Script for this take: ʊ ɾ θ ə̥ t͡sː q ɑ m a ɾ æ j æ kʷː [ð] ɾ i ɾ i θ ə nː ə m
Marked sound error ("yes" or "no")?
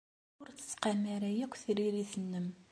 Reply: yes